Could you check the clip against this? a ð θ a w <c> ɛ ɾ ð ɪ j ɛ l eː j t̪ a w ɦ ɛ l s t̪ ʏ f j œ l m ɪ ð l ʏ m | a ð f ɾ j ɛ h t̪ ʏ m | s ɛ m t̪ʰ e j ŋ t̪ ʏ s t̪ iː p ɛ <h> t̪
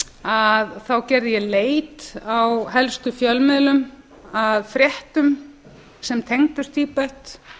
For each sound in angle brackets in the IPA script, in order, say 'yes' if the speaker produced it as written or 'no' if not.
yes, yes

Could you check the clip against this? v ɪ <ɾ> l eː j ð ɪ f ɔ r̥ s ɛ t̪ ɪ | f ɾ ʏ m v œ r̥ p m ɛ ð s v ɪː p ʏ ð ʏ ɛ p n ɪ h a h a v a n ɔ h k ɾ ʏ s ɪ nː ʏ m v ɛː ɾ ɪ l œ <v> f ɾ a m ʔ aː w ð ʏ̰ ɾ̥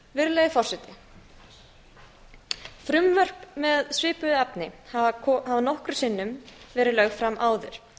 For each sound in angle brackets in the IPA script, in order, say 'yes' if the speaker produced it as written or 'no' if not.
yes, no

